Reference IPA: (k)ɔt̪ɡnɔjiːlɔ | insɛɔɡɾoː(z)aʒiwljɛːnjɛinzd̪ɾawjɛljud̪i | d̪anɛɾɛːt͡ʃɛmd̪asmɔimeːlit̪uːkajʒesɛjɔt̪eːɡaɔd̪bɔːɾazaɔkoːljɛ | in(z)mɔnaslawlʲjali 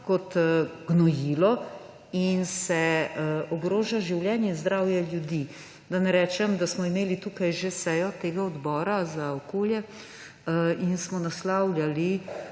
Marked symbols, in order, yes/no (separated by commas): yes, no, no